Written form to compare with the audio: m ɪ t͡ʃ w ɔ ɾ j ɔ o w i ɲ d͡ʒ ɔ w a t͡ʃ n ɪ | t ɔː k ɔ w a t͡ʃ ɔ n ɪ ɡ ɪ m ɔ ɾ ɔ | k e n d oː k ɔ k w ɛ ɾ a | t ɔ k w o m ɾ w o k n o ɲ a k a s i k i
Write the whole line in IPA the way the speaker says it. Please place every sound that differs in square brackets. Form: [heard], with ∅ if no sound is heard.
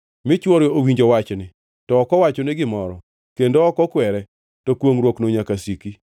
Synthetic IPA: m ɪ t͡ʃ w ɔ ɾ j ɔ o w i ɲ d͡ʒ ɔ w a t͡ʃ n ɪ | t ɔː k ɔ w a t͡ʃ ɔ n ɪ ɡ ɪ m ɔ ɾ ɔ | k e n d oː k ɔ k w ɛ ɾ [ɛ] | t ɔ k w o [ŋ] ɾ w o k n o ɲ a k a s i k i

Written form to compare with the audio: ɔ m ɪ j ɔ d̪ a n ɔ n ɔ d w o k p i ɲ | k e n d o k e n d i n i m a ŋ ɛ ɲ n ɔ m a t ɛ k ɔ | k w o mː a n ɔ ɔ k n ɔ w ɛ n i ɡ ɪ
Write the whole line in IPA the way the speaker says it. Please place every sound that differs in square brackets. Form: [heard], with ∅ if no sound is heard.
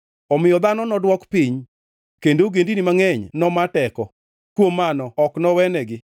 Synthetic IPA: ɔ m ɪ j ɔ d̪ a n ɔ n ɔ d w [ɔ] k p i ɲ | k e n d o [ɡ] e n d i n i m a ŋ ɛ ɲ n ɔ m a t ɛ k ɔ | k w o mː a n ɔ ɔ k n ɔ w ɛ n [ɛ] ɡ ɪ

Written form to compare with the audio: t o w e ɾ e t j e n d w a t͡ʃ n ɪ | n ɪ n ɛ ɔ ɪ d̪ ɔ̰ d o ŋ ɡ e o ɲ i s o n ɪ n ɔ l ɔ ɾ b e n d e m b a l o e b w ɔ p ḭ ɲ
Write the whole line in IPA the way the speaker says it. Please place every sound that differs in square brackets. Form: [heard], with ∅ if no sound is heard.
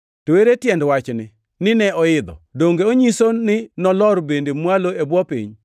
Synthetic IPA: t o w e ɾ e t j [ɛ] n d w a t͡ʃ n ɪ | n ɪ n ɛ ɔ ɪ d̪ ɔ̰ d o ŋ ɡ e o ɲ i s o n ɪ n ɔ l ɔ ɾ b e n d e m [w] a l o e b w ɔ p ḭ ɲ

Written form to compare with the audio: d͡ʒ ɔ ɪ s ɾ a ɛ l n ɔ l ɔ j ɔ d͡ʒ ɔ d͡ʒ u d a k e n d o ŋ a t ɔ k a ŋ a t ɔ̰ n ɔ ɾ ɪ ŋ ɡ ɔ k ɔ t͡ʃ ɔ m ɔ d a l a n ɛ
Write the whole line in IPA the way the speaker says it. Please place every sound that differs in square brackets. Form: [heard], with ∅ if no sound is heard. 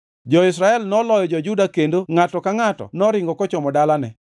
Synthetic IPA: d͡ʒ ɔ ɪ s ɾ a ɛ l n ɔ l ɔ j ɔ d͡ʒ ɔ d͡ʒ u d a k e n d o ŋ a t ɔ k a ŋ a t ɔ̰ n ɔ ɾ ɪ ŋ ɡ ɔ k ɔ t͡ʃ ɔ m ɔ d a l a n ɛ

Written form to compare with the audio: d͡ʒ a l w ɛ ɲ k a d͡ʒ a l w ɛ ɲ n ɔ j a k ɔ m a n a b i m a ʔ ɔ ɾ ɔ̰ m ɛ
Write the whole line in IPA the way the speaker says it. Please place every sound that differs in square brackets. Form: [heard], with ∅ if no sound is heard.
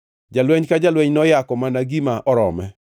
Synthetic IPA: d͡ʒ a l w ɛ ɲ k a d͡ʒ a l w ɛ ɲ n ɔ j a k ɔ m a n a [ɡ] i m a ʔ ɔ ɾ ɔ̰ m ɛ

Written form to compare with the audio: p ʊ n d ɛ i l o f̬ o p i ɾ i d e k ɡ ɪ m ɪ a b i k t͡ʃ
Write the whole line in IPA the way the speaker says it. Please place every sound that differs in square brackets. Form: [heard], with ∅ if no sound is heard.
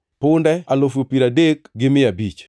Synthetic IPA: p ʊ n d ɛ [a] l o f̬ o p i ɾ [a] d e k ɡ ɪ m ɪ a b i [∅] t͡ʃ

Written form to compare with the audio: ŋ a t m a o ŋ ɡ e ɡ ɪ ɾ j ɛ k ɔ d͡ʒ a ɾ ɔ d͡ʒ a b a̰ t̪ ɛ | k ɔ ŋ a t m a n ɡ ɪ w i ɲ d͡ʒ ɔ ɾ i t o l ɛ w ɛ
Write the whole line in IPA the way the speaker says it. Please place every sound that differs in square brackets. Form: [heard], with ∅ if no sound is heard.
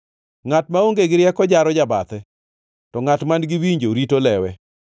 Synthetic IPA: ŋ a t m a o ŋ ɡ e ɡ ɪ ɾ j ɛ k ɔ d͡ʒ a ɾ ɔ d͡ʒ a b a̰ t̪ ɛ | [t] ɔ ŋ a t m a n ɡ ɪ w i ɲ d͡ʒ [o] ɾ i t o l ɛ w ɛ

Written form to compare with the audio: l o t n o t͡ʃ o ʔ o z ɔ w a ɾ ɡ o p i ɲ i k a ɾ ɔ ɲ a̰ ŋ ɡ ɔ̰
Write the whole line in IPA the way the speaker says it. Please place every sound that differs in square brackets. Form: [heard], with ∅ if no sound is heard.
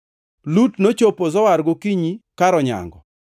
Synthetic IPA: l [u] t n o t͡ʃ o [p] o z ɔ w a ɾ ɡ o [k] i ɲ i k a ɾ ɔ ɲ a̰ ŋ ɡ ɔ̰

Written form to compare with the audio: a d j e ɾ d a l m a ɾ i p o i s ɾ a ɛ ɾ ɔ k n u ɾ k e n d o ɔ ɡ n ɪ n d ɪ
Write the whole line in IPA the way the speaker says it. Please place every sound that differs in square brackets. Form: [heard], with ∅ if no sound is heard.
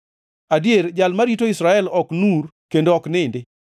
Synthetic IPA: a d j e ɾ [d͡ʒ] a l m a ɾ i [t] o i s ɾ a ɛ [l] ɔ k n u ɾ k e n d o ɔ [k] n ɪ n d ɪ

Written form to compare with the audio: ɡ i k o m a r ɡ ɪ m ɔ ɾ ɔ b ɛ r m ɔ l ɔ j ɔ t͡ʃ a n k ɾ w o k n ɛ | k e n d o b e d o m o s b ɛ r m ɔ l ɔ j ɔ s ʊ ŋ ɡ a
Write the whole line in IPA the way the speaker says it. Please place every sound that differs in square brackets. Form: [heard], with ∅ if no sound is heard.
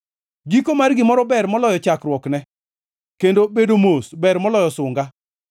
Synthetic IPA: ɡ i k o m a r ɡ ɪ m ɔ ɾ ɔ b ɛ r m ɔ l ɔ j ɔ t͡ʃ a [∅] k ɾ w [ɔ] k n ɛ | k e n d o b e d o m o s b ɛ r m ɔ l ɔ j ɔ s ʊ ŋ ɡ a

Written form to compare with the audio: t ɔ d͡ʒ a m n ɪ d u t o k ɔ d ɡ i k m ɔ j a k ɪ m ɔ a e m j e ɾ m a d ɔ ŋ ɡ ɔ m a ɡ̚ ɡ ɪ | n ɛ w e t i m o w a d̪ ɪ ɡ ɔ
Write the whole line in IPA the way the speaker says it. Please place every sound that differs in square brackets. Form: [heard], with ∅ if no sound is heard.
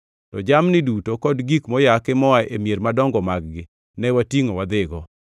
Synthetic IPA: t ɔ d͡ʒ a m n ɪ d u t o k ɔ d ɡ i k m ɔ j a k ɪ m ɔ a e m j e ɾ m a d ɔ ŋ ɡ ɔ m a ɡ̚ ɡ ɪ | n ɛ w [a] t i [ŋ] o w a d̪ ɪ ɡ ɔ

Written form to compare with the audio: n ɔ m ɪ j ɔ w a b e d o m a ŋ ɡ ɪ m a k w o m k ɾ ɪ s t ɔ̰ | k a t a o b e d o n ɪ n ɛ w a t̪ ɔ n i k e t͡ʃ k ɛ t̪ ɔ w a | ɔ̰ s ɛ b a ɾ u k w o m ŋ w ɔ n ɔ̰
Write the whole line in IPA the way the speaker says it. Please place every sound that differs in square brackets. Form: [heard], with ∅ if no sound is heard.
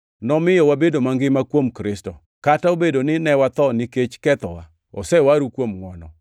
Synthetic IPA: n ɔ m ɪ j ɔ w a b e d o m a ŋ ɡ ɪ m a k w o m k ɾ ɪ s t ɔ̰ | k a t a o b e d o n ɪ n ɛ w a t̪ ɔ n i k e t͡ʃ k ɛ t̪ ɔ w a | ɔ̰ s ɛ [w] a ɾ u k w o m ŋ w ɔ n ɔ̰

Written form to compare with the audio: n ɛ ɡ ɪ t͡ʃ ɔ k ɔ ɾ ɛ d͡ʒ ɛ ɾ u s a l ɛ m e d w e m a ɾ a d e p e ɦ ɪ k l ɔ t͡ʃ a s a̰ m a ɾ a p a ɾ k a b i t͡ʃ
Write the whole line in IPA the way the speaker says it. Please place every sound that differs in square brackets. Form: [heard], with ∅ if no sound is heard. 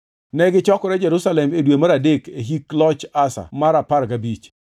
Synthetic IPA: n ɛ ɡ ɪ t͡ʃ ɔ k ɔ ɾ ɛ d͡ʒ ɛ ɾ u s a l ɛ m e d w e m a ɾ a d e [k] e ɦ [i] k l ɔ t͡ʃ a s a̰ m a ɾ a p a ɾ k a b i t͡ʃ

